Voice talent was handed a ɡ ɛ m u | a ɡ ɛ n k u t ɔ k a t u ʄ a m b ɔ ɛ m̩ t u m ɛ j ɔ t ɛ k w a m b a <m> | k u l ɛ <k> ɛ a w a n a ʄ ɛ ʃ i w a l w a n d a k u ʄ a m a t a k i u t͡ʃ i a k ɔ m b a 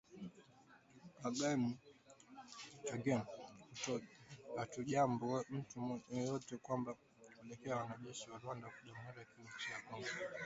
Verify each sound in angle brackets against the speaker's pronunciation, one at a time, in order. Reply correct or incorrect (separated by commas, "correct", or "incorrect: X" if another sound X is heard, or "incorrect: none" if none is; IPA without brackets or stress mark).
incorrect: none, correct